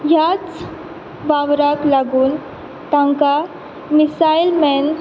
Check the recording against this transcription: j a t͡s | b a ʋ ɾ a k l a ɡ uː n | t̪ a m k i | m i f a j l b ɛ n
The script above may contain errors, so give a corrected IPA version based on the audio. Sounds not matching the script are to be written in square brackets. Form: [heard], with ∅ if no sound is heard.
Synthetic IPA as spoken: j a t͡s | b a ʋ ɾ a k l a ɡ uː n | t̪ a [ŋ] k [a] | m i [s] a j l [m] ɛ n